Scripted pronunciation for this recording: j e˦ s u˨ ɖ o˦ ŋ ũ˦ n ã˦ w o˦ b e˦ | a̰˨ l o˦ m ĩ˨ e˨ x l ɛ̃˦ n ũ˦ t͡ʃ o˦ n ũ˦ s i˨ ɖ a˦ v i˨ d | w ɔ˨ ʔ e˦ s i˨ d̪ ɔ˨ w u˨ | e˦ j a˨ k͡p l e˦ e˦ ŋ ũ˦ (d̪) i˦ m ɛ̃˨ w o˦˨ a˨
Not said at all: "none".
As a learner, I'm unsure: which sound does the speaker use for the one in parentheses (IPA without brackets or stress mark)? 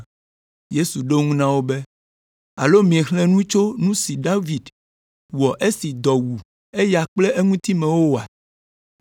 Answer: t̪